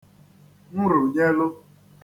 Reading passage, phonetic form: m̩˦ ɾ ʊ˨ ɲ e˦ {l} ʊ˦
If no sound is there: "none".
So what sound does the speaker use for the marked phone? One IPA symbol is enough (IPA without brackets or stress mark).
l